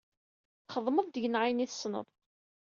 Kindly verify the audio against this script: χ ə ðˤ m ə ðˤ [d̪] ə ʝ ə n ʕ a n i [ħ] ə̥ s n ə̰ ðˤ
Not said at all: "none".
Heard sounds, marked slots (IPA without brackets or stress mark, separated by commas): d̪, θ